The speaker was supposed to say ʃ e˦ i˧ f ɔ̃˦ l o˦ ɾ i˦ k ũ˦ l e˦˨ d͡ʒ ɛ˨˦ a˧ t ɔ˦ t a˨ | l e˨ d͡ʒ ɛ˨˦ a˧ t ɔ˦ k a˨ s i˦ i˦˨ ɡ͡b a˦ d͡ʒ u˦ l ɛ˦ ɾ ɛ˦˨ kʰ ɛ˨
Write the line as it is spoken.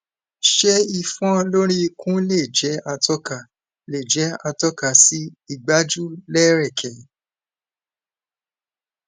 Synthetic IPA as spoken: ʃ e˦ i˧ f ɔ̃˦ l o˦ ɾ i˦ k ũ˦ l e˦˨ d͡ʒ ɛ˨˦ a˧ t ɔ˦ k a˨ | l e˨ d͡ʒ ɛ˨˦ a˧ t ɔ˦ k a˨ s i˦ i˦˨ ɡ͡b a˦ d͡ʒ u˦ l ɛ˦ ɾ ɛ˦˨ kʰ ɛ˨